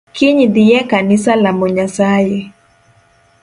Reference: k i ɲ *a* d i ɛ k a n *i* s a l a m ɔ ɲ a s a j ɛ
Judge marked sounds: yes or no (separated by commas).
no, yes